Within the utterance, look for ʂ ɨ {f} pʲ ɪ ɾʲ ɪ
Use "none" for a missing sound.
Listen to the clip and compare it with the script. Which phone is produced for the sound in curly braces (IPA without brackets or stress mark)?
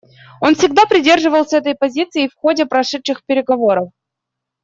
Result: x